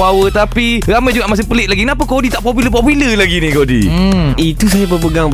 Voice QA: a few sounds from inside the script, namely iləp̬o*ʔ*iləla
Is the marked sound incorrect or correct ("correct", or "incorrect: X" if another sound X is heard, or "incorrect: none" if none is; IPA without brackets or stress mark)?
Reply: incorrect: p